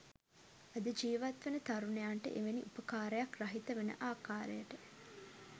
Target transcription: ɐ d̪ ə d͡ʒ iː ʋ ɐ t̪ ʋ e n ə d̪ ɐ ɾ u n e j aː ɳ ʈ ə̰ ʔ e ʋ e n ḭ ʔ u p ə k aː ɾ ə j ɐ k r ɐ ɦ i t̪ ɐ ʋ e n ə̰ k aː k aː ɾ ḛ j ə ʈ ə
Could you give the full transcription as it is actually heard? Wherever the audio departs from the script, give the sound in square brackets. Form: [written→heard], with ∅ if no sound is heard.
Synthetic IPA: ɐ d̪ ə d͡ʒ iː ʋ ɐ t̪ ʋ e n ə [d̪→t̪] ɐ ɾ u n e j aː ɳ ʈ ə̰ ʔ e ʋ e n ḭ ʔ u p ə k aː ɾ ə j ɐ k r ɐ ɦ i t̪ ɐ ʋ e n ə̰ [k→ʔ] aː k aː ɾ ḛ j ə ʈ ə